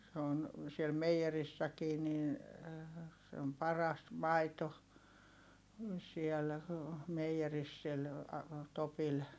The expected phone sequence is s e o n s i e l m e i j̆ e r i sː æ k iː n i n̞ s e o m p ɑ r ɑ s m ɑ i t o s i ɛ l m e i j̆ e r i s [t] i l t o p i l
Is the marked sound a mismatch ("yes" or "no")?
yes